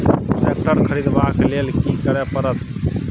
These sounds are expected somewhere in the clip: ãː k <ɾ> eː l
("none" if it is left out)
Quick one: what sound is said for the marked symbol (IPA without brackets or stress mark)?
l